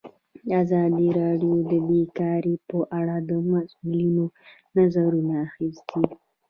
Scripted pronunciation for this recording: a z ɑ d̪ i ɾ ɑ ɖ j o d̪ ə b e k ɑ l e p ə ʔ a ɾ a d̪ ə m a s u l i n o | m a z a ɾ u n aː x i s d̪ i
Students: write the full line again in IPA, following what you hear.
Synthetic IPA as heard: a z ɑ d̪ i ɾ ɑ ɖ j o d̪ ə b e k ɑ ɾ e p ə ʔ a ɽ a d̪ ə m a s u l i n o | n a z a ɾ u n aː x i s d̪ i